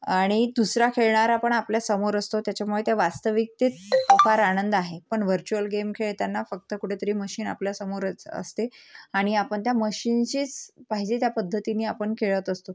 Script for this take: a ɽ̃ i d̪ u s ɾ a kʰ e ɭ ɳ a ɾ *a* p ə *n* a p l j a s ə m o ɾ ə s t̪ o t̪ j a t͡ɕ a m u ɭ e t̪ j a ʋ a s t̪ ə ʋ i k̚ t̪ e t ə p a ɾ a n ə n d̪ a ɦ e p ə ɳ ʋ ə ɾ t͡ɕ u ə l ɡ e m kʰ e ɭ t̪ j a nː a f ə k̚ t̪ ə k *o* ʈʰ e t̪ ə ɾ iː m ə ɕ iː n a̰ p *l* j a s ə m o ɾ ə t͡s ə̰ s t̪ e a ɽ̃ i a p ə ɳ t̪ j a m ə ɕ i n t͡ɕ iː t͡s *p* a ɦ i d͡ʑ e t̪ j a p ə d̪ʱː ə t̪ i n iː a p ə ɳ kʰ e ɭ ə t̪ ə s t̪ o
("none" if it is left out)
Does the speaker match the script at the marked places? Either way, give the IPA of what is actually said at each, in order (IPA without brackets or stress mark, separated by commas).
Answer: a, ɳ, u, l, p